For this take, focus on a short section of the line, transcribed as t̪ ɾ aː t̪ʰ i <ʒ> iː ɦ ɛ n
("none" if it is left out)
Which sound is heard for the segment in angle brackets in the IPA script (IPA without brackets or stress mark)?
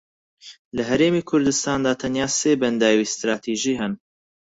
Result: ʒ